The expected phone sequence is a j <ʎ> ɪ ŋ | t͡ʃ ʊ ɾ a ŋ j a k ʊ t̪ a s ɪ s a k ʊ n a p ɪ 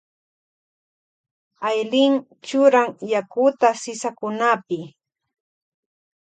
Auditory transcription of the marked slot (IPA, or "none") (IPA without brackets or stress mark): l